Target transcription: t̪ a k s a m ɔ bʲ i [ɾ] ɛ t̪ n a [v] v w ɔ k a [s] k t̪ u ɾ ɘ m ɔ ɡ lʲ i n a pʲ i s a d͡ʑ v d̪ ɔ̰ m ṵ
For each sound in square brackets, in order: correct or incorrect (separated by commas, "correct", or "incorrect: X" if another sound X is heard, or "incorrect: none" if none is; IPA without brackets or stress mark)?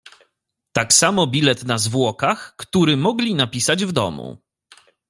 incorrect: l, incorrect: z, incorrect: x